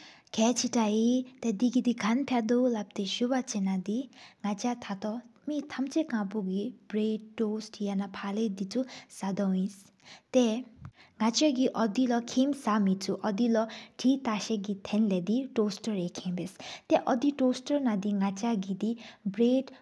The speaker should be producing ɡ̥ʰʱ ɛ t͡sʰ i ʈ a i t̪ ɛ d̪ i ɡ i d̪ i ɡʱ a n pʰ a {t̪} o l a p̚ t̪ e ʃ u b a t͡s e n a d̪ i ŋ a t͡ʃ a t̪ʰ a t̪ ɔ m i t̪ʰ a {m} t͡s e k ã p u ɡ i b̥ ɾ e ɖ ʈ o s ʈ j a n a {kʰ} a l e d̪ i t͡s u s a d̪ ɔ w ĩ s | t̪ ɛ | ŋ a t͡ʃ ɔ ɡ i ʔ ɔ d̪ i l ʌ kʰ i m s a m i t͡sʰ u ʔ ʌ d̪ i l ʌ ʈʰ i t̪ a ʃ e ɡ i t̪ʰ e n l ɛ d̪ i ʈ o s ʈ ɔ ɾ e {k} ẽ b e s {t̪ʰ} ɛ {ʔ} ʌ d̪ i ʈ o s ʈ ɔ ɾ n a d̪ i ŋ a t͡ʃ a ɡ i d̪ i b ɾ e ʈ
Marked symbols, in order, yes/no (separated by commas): no, yes, no, no, no, yes